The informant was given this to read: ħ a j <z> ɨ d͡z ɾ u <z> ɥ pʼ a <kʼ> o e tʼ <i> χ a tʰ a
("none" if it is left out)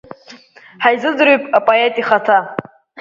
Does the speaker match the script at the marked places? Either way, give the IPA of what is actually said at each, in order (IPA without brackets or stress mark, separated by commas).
z, none, pʼ, i